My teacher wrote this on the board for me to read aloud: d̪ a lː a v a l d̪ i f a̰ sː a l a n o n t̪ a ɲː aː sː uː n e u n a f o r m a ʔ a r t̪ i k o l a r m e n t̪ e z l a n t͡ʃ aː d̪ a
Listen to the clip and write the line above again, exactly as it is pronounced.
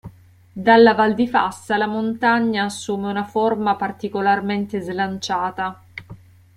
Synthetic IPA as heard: d̪ a lː a v a l d̪ i f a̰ sː a l a m o n t̪ a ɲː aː sː uː m e u n a f o r m a p a r t̪ i k o l a r m e n t̪ e z l a n t͡ʃ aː t̪ a